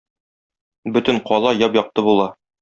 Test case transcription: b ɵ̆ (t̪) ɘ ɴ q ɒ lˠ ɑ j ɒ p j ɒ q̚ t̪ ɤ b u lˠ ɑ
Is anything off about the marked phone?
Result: no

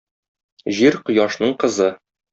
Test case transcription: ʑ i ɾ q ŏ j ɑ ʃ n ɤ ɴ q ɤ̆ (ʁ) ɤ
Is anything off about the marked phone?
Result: yes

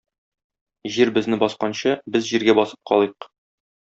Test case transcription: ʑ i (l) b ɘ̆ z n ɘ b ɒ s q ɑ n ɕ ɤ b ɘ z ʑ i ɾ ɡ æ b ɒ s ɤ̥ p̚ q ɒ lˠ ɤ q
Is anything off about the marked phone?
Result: yes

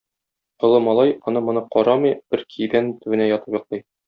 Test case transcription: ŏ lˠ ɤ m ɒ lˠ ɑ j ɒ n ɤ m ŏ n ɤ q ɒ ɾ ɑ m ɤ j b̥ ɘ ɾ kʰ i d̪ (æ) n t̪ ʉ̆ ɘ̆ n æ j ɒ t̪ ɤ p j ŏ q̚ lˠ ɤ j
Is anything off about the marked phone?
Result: no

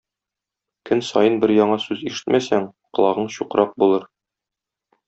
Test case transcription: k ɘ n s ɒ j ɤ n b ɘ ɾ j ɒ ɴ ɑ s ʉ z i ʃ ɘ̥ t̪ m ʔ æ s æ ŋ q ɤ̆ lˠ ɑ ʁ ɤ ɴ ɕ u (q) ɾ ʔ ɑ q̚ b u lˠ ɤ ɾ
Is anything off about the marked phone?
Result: no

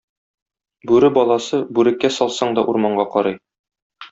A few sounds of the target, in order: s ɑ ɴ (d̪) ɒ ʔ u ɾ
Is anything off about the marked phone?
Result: no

